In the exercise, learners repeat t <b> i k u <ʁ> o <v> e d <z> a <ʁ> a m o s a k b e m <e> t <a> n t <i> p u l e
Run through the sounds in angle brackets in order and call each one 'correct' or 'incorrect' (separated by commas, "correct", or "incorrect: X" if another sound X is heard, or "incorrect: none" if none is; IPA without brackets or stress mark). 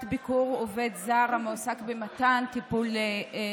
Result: correct, correct, correct, correct, correct, incorrect: a, correct, correct